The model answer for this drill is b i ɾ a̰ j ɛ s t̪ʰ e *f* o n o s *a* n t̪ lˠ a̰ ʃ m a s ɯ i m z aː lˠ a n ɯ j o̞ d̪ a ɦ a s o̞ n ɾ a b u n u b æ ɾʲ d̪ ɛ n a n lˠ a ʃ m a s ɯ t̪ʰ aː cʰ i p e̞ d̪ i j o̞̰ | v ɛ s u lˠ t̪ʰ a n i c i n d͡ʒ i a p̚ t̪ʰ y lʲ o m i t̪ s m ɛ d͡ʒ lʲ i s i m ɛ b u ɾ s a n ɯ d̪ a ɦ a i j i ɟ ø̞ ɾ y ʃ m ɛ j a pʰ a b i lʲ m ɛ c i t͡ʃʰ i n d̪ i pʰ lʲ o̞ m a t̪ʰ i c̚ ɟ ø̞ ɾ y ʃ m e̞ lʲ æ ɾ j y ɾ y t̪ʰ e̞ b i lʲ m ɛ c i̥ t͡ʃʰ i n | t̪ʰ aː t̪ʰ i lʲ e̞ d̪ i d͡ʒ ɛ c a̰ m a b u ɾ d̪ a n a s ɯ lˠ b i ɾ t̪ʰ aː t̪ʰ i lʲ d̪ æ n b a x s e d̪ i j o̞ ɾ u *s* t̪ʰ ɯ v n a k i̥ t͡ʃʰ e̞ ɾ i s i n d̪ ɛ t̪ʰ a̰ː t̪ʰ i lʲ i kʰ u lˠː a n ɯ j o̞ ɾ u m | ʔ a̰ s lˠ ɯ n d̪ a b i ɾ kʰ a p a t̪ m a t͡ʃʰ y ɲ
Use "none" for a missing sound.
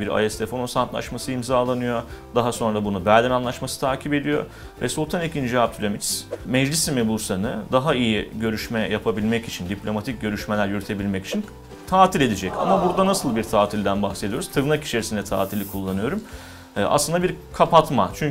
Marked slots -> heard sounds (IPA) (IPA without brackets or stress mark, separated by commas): f, a, z